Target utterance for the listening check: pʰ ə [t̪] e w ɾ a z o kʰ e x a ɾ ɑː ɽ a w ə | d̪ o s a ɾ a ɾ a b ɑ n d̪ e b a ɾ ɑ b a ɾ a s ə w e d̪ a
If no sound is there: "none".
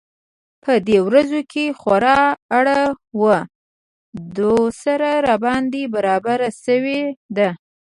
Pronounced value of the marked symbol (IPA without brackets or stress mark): d̪